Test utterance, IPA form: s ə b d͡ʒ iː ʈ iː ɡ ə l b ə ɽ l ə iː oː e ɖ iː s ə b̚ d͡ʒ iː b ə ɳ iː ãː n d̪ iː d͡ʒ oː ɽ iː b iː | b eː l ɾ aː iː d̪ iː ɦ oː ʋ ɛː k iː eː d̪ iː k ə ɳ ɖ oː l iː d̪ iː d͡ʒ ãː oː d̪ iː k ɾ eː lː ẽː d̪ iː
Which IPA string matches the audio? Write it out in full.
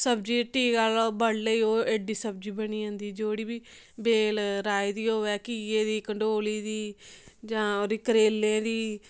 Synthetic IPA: s ə b d͡ʒ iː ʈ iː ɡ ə l b ə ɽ l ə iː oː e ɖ iː s ə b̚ d͡ʒ iː b ə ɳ iː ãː n d̪ iː d͡ʒ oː ɽ iː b iː | b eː l ɾ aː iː d̪ iː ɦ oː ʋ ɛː k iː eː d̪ iː k ə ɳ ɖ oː l iː d̪ iː d͡ʒ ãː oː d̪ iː k ɾ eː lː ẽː d̪ iː